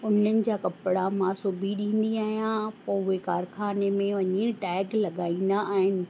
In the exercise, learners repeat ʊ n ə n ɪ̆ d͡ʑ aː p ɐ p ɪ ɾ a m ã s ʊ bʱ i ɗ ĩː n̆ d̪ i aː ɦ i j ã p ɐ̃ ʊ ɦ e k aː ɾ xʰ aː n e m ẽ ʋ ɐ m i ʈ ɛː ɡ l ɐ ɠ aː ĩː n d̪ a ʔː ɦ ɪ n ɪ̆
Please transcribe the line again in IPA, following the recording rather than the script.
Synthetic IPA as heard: ʊ n ə n ɪ̆ d͡ʑ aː k ɐ p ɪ ɽ a m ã s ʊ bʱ i ɗ ĩː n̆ d̪ i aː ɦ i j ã p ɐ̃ ʊ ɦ e k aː ɾ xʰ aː n e m ẽ ʋ ɐ ɲ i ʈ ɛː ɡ l ɐ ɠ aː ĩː n d̪ a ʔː ɦ ɪ n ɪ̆

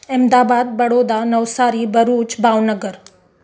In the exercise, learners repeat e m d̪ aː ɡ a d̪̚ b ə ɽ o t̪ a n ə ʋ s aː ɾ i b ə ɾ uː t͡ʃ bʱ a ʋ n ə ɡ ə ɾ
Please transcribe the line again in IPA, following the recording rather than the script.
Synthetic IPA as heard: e m d̪ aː b a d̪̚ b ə ɽ o d̪ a n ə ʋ s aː ɾ i b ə ɾ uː t͡ʃ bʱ a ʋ n ə ɡ ə ɾ

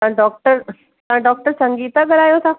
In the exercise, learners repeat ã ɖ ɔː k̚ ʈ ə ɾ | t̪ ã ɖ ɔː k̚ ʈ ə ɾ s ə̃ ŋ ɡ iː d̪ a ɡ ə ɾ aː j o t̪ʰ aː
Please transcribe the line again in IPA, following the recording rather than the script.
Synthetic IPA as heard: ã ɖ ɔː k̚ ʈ ə ɾ | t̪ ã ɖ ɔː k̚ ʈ ə ɾ s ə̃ ŋ ɡ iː t̪ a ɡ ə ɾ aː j o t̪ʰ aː

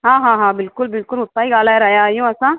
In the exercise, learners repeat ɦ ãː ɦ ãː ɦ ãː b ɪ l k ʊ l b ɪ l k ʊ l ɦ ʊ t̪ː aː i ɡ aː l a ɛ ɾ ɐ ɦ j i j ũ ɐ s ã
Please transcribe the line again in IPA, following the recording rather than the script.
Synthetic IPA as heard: ɦ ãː ɦ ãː ɦ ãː b ɪ l k ʊ l b ɪ l k ʊ l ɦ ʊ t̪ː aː i ɡ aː l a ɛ ɾ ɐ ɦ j a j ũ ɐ s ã

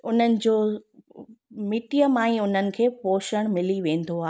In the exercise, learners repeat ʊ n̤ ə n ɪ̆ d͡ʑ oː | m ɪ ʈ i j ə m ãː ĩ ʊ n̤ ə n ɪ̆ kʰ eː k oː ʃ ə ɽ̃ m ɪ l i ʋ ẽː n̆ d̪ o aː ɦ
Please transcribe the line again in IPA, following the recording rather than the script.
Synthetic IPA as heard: ʊ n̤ ə n ɪ̆ d͡ʑ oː | m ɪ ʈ i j ə m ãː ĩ ʊ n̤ ə n ɪ̆ kʰ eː p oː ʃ ə ɽ̃ m ɪ l i ʋ ẽː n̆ d̪ o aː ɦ

